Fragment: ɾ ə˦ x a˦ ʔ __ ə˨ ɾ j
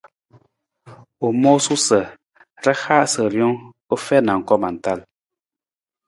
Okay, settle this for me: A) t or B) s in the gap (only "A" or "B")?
B